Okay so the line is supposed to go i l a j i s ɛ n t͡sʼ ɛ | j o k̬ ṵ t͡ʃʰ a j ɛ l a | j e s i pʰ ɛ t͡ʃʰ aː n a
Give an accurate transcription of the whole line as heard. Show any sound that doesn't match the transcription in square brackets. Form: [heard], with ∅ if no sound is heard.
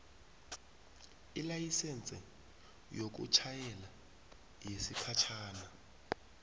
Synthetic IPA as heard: i l a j i s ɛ n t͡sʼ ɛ | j o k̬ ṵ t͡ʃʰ a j ɛ l a | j e s i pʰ [a] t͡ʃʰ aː n a